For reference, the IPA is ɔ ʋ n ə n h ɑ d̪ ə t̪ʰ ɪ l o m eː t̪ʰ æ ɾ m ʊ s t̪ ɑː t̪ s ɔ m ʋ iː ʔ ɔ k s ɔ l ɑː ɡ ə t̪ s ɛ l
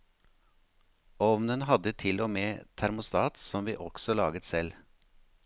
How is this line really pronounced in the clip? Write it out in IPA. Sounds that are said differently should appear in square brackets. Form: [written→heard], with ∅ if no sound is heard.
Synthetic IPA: ɔ ʋ n ə n h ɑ d̪ ə t̪ʰ ɪ l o m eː t̪ʰ æ ɾ m ʊ s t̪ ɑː t̪ s ɔ m ʋ iː ʔ ɔ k s ɔ l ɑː ɡ ə t̪ s ɛ l